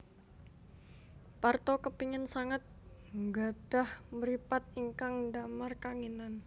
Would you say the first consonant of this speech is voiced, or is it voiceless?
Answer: voiceless